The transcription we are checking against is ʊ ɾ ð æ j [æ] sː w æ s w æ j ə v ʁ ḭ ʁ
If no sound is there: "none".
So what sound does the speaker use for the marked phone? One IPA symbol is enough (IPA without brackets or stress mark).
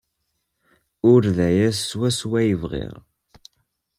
æ